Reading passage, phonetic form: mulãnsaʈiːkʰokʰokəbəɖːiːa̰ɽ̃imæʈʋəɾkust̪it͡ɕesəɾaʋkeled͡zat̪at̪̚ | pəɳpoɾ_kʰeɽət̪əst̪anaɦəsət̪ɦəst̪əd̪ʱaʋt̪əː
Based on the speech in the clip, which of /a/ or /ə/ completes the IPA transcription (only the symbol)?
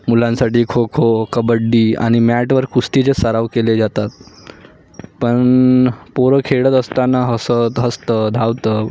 ə